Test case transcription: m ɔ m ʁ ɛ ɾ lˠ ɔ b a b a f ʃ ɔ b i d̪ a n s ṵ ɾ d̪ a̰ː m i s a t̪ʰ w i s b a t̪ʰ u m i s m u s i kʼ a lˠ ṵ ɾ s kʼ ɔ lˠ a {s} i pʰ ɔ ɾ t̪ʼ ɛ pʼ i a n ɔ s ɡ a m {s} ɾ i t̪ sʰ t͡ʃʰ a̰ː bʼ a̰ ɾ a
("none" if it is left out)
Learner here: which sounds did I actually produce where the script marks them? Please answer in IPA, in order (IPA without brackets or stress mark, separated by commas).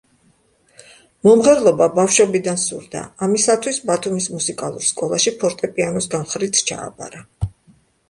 ʃ, χ